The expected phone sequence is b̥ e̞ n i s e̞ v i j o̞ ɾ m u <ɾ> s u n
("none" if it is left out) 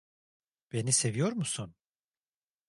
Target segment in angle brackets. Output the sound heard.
none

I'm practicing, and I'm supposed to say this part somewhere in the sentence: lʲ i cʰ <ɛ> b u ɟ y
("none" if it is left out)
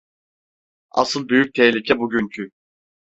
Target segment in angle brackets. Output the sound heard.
ɛ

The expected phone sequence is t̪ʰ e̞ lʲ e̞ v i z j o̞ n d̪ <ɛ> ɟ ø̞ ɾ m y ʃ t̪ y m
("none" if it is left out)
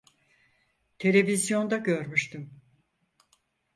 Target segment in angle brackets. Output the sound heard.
a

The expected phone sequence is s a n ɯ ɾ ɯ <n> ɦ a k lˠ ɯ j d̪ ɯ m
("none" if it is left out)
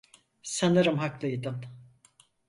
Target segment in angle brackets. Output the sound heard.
m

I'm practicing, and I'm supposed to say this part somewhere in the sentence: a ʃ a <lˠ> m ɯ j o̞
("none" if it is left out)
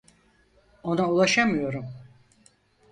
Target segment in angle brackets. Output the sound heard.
none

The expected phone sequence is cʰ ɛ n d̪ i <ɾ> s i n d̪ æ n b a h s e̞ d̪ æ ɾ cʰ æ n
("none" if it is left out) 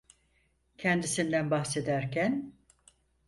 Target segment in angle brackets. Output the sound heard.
none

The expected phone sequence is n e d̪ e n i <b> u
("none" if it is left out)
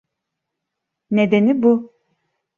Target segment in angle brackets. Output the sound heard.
b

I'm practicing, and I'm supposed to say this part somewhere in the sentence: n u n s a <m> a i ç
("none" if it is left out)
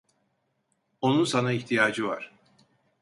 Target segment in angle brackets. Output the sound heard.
n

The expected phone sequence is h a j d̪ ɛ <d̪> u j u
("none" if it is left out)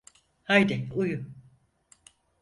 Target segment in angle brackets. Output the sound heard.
none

